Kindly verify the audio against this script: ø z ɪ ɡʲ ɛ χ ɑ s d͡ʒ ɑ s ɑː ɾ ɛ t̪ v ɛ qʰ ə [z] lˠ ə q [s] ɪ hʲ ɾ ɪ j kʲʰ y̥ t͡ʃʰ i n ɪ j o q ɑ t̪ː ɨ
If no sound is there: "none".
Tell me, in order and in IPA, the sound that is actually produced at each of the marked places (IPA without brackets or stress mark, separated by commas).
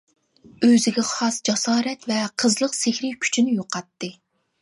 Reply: z, s